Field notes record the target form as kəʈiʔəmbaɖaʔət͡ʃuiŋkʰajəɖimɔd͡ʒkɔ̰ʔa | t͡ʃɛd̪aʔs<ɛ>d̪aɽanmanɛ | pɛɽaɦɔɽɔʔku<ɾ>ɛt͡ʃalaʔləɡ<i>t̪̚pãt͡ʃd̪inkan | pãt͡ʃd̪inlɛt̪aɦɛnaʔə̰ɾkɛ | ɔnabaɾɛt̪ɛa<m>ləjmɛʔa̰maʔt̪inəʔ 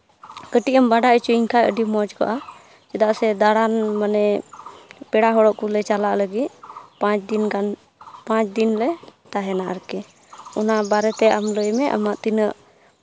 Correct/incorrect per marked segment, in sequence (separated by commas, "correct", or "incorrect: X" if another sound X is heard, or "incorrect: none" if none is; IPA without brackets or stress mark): correct, incorrect: l, correct, correct